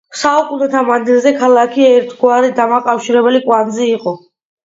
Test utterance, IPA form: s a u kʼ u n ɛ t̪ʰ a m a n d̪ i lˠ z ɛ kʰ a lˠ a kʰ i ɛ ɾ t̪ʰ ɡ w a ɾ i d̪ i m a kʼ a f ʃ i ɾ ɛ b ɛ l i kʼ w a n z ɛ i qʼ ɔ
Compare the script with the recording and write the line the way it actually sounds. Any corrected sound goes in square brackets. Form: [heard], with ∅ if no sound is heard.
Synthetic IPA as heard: s a u kʼ u n ɛ t̪ʰ a m a n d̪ i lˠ z ɛ kʰ a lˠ a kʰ i ɛ ɾ t̪ʰ ɡ w a ɾ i d̪ [a] m a kʼ a f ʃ i ɾ ɛ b ɛ l i kʼ w a n z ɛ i qʼ ɔ